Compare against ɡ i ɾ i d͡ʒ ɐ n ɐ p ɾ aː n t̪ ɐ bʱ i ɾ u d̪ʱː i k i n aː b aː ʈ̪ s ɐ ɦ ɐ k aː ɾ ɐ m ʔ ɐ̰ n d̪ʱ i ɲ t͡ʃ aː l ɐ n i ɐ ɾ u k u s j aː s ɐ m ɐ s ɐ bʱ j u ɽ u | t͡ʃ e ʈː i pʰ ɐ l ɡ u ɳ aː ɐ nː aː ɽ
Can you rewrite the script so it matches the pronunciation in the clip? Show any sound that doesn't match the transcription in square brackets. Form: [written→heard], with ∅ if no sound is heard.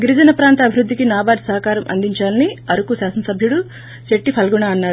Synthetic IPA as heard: ɡ i ɾ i d͡ʒ ɐ n ɐ p ɾ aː n t̪ ɐ bʱ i ɾ u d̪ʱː i k i n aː b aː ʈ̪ s ɐ ɦ ɐ k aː ɾ ɐ m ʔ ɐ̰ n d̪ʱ i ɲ t͡ʃ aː l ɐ n i ɐ ɾ u k u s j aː s ɐ [m→n] ɐ s ɐ bʱ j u ɽ u | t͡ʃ e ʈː i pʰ ɐ l ɡ u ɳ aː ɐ nː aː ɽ